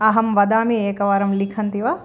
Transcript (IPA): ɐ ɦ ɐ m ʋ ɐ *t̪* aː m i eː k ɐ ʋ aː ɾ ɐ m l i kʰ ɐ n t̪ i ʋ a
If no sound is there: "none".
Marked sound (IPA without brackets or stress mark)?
d̪